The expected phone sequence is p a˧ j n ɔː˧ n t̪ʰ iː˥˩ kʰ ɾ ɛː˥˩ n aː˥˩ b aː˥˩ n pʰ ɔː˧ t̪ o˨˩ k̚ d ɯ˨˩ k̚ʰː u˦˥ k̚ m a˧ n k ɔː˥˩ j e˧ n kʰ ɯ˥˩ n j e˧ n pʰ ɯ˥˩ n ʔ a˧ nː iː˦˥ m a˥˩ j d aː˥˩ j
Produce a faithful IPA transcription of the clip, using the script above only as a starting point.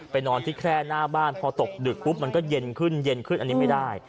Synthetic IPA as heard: p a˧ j n ɔː˧ n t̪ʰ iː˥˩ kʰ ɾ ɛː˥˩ n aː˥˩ b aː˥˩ n pʰ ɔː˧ t̪ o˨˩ k̚ d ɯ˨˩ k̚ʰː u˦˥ p̚ m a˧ n k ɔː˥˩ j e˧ n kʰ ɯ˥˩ n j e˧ n kʰ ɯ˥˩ n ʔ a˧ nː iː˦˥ m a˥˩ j d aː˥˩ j